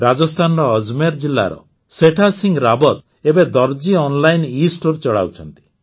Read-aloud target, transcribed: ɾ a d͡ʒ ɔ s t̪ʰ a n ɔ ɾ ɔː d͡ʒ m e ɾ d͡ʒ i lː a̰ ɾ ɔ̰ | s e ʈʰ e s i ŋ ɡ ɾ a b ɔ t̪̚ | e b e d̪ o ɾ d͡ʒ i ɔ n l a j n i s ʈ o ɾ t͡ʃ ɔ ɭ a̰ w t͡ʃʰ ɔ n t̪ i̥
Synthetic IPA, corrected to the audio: ɾ a d͡ʒ ɔ s t̪ʰ a n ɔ ɾ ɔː d͡ʒ m e ɾ d͡ʒ i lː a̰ ɾ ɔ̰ | s e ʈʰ a s i ŋ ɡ ɾ a b ɔ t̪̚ | e b e d̪ ɔ ɾ d͡ʒ i ɔ n l a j n i s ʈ o ɾ t͡ʃ ɔ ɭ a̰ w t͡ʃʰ ɔ n t̪ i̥